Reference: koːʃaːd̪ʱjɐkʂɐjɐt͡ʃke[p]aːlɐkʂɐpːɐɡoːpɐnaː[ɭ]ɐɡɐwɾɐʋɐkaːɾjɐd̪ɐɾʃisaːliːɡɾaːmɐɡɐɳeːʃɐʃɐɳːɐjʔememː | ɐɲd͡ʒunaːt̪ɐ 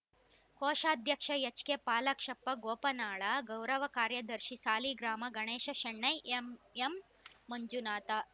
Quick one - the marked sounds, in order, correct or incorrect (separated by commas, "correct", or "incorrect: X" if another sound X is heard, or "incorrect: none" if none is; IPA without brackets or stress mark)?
correct, correct